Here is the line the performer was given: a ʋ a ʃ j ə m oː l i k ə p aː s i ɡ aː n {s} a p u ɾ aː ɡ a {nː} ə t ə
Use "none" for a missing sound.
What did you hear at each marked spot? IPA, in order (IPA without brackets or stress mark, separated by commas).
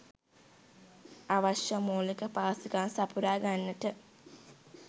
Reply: s, nː